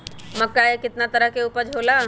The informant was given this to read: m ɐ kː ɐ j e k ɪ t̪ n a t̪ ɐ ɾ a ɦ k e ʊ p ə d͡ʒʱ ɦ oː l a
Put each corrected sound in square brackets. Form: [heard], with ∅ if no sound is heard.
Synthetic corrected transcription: m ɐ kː [a] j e k ɪ t̪ n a t̪ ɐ ɾ [ə] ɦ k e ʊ p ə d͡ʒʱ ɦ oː l a